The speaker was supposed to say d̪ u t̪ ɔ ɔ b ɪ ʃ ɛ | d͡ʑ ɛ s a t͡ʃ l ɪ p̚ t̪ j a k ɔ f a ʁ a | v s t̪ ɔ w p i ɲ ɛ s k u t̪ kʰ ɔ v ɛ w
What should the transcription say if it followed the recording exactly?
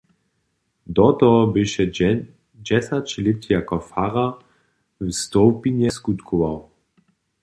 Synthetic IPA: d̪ ɔ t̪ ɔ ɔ b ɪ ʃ ɛ | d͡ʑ ɛ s a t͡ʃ l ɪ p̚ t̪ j a k ɔ f a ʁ a | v s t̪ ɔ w p i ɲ ɛ s k u t̪ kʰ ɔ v a w